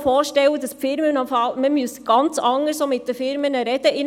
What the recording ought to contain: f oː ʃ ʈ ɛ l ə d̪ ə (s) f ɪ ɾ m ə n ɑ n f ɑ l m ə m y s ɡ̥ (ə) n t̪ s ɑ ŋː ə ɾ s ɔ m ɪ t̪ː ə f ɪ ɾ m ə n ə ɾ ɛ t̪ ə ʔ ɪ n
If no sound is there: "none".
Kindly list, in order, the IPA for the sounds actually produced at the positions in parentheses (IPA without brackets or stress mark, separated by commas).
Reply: s, ɑ